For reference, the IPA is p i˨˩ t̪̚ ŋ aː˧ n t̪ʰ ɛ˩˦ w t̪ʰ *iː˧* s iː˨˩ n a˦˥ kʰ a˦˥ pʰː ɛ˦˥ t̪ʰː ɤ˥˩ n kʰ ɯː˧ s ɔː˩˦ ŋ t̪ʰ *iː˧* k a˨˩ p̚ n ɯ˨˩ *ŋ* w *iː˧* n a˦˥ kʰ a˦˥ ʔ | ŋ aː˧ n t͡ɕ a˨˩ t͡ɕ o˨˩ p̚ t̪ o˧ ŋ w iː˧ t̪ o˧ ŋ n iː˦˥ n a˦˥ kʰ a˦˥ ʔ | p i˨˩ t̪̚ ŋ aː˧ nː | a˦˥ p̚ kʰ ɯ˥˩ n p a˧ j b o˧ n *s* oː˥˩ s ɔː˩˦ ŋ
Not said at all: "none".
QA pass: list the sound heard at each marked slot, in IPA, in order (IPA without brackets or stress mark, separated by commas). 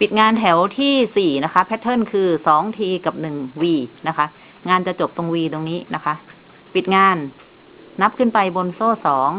iː˥˩, iː˧, ŋ, iː˧, s